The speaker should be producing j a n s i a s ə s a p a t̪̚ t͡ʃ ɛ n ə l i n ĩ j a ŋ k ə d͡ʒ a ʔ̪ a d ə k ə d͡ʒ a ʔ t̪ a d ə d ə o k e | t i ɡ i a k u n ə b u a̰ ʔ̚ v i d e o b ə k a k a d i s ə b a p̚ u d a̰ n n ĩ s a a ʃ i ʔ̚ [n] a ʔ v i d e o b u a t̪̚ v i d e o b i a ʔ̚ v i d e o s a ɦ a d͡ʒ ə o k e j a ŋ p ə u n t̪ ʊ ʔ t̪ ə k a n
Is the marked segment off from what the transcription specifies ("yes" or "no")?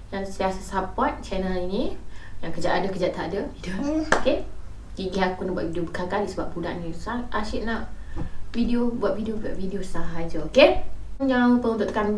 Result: no